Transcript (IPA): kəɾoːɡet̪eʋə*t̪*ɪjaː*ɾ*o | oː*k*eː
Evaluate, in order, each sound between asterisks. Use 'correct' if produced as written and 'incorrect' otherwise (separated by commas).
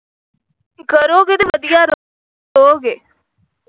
incorrect, correct, incorrect